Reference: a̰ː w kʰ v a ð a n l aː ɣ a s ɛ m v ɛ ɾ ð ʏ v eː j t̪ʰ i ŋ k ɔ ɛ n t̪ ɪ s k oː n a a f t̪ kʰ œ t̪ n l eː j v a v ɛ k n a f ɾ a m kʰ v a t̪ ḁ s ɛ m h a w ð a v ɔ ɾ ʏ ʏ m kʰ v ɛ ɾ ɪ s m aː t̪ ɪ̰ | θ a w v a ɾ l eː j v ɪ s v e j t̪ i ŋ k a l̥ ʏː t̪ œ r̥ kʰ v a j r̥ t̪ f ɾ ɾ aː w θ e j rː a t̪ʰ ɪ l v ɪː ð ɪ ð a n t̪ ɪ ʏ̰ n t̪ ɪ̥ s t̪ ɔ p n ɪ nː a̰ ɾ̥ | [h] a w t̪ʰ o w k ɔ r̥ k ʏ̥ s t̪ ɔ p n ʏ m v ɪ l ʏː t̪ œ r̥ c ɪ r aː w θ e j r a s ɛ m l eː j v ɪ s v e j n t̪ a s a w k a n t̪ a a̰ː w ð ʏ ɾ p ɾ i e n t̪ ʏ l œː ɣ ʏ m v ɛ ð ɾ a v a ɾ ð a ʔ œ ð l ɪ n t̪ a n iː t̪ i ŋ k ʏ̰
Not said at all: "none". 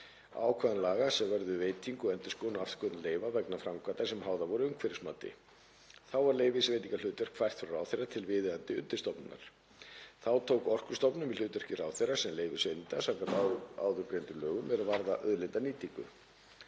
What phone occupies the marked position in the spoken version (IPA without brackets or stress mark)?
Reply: θ